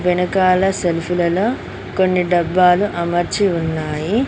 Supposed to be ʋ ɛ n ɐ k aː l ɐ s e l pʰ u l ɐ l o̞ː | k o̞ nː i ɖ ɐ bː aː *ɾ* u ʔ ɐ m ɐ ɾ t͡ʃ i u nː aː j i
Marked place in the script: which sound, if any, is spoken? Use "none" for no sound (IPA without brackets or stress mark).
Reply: l